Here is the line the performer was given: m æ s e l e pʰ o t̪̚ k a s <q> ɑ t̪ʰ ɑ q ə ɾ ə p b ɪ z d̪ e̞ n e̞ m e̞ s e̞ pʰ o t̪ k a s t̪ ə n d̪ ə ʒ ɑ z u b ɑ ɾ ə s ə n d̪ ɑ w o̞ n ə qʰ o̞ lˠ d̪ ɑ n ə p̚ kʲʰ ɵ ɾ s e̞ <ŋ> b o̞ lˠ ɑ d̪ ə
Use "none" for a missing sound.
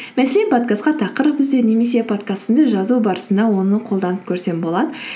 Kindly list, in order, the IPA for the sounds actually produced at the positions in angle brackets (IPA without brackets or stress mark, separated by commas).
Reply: q, m